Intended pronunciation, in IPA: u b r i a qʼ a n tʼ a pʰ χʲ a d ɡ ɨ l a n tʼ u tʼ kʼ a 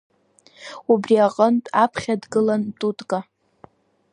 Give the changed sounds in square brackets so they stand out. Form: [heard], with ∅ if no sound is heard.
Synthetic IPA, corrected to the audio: u b r i a qʼ [ə] n tʼ a pʰ χʲ a d ɡ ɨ l a n tʼ u tʼ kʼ a